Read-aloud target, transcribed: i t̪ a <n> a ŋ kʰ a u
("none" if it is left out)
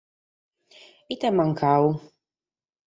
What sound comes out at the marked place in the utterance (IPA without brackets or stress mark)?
m